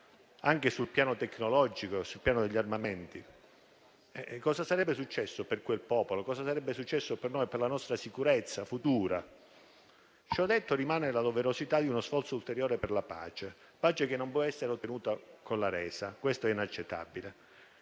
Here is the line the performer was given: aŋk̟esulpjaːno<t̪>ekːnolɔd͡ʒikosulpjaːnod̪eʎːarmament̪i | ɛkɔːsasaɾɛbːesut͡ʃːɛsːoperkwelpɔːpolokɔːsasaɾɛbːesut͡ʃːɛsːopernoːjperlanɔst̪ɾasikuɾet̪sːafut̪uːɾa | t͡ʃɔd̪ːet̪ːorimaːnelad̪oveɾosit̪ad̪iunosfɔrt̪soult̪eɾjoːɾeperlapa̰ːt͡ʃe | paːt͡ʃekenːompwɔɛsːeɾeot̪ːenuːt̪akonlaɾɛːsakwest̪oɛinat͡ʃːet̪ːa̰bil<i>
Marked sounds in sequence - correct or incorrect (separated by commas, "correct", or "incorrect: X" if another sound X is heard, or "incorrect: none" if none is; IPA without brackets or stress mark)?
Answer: correct, incorrect: e